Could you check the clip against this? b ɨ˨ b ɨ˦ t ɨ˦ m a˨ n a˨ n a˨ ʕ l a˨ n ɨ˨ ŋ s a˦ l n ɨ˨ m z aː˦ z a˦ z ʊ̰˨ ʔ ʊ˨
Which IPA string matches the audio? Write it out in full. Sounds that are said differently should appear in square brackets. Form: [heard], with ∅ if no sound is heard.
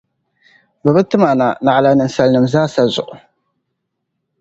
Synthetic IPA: b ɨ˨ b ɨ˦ t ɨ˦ m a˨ n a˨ n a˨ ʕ l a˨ n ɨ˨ [n] s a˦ l n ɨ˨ m z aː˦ [s] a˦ z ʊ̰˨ ʔ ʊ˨